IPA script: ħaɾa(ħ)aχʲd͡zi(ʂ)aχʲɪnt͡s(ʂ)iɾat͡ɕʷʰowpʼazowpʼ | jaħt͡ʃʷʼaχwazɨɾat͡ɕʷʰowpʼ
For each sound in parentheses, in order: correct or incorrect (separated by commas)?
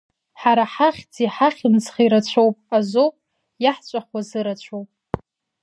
correct, incorrect, incorrect